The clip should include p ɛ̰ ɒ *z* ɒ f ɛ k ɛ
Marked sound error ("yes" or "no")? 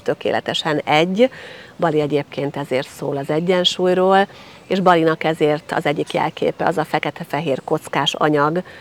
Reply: no